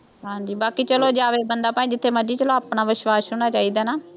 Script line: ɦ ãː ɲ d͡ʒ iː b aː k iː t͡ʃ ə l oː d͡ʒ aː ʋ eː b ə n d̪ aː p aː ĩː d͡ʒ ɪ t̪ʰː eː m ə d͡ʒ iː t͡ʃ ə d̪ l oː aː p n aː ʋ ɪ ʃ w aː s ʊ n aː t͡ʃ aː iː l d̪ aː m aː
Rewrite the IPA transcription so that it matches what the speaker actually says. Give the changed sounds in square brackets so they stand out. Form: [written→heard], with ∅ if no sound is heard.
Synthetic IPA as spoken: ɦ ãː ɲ d͡ʒ iː b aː k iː t͡ʃ ə l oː d͡ʒ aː ʋ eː b ə n d̪ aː p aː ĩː d͡ʒ ɪ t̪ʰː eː m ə d͡ʒ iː t͡ʃ ə [d̪→∅] l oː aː p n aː ʋ ɪ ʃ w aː s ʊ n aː t͡ʃ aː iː [l→∅] d̪ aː [m→n] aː